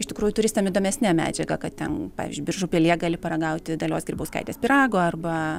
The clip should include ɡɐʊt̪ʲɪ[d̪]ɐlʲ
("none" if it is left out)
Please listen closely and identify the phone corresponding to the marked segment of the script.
d̪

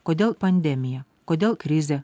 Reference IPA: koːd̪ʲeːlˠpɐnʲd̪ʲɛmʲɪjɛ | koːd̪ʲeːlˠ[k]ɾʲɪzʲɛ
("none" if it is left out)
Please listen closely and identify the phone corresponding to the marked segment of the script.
k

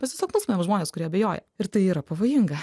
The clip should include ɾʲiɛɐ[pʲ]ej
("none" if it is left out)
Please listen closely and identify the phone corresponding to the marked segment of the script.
bʲ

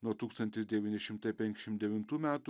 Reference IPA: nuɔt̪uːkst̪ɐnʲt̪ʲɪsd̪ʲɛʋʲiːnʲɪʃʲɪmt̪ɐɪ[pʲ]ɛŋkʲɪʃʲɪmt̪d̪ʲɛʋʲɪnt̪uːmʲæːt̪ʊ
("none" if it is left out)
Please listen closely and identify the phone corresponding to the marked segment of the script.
pʲ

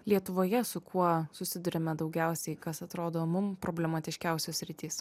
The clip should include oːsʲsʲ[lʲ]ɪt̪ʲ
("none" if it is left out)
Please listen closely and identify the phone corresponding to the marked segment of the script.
ɾʲ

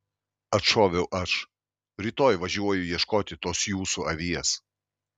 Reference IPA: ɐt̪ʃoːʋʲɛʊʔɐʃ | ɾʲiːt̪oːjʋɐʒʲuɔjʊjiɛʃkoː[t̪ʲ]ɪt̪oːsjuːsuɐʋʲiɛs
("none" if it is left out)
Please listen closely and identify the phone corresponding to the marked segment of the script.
t̪ʲ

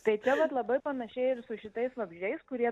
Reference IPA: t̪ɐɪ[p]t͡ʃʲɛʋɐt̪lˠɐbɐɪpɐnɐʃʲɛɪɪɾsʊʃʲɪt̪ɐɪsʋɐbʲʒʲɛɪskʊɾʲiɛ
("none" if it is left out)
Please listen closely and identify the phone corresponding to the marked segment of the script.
none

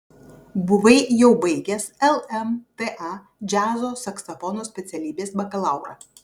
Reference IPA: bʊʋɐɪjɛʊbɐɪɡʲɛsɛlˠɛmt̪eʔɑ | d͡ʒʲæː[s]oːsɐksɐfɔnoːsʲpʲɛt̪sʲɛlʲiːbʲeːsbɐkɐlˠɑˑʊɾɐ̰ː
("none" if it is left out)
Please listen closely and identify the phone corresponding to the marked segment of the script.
z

